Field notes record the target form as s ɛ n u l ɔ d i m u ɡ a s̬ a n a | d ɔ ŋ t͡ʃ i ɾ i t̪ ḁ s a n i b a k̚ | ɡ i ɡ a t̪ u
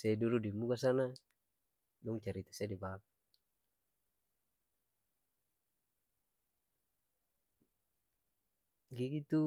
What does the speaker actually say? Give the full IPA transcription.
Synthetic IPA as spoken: s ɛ d u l u d i m u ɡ a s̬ a n a | d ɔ ŋ t͡ʃ a ɾ i t̪ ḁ s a d i b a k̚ | ɡ i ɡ i t̪ u